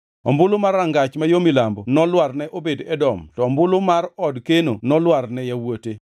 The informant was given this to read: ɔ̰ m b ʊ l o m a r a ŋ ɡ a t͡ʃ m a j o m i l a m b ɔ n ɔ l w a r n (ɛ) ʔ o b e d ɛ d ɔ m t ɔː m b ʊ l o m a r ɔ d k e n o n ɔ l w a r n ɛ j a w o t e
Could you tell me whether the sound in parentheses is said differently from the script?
no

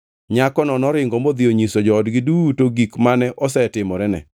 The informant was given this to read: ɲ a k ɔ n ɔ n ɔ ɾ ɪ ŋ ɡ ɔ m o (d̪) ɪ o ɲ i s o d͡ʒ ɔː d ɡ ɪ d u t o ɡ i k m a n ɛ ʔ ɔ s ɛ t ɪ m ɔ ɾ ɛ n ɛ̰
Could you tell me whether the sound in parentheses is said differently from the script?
no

